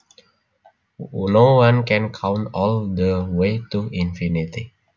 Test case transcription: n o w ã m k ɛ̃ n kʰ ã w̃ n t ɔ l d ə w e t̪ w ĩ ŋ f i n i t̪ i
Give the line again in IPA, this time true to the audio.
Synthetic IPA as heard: n o w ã n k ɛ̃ n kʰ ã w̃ n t ɔ l d ə w e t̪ u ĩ n f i n i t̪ i